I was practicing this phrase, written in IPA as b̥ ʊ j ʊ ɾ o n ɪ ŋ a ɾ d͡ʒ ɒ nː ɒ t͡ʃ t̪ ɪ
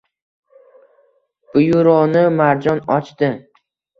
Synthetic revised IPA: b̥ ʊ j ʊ ɾ ɒ n ɪ m a ɾ d͡ʒ ɒ n ɒ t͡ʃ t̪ ɪ